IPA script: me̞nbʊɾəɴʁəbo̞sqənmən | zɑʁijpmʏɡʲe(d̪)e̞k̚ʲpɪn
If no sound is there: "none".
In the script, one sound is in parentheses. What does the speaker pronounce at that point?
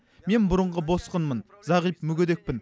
d̪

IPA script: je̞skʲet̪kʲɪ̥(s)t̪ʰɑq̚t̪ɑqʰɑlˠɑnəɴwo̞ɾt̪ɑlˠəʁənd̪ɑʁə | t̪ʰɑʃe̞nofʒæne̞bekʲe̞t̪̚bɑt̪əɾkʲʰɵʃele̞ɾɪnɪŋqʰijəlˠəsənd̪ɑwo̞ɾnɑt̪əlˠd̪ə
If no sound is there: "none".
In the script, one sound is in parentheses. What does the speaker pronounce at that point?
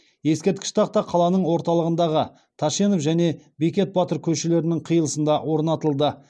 ʃ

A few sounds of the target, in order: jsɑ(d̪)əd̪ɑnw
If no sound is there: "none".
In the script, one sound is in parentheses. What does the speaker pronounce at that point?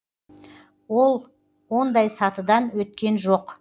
t̪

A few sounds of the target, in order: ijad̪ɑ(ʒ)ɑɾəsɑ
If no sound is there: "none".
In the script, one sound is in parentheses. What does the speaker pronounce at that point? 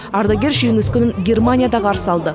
ʁ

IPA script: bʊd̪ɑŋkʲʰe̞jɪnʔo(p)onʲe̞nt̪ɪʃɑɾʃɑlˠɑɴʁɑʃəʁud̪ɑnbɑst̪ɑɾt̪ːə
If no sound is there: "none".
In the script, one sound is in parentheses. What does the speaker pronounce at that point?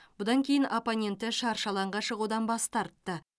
p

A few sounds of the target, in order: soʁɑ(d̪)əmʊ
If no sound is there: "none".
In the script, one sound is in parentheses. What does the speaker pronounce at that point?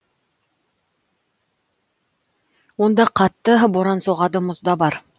d̪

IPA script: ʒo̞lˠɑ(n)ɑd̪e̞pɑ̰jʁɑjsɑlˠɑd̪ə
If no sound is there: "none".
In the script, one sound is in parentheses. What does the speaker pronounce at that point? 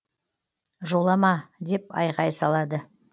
m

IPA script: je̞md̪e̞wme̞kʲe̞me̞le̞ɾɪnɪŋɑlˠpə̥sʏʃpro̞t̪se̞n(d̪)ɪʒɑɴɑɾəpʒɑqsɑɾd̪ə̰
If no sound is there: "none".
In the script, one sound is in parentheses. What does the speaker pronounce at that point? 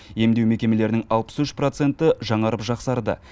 t̪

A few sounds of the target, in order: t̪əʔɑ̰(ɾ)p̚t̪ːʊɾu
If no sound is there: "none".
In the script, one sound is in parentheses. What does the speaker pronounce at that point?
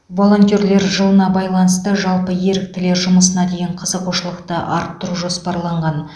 ɾ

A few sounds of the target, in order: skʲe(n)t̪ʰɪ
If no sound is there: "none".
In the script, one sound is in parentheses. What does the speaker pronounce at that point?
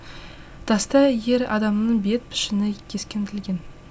n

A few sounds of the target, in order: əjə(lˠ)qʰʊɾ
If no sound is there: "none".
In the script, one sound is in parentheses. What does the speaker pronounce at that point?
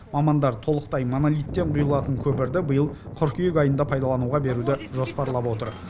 lˠ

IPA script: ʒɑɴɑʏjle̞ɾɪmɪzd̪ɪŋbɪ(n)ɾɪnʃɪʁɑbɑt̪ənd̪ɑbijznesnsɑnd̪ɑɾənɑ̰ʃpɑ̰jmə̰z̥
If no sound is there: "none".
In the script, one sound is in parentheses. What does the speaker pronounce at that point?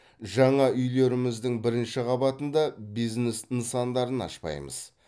none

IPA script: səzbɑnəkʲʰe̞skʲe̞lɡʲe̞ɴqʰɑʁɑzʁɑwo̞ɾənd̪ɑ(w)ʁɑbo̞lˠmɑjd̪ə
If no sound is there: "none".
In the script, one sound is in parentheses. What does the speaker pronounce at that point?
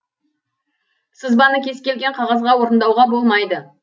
w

